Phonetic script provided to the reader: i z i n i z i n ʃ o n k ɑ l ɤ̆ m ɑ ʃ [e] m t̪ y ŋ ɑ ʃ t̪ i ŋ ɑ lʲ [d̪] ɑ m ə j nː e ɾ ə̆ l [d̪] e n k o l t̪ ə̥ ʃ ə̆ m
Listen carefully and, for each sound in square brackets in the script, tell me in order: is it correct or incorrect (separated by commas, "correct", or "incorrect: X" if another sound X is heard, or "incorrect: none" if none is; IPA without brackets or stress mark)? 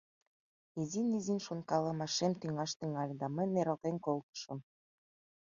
correct, correct, incorrect: t̪